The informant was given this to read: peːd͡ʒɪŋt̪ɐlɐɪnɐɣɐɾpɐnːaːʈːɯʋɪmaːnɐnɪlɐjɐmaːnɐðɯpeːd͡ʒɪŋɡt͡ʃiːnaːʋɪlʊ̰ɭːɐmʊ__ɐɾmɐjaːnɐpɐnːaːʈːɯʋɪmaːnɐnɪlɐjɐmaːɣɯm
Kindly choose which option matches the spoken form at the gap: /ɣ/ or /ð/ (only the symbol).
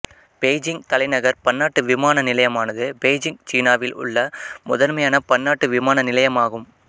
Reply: ð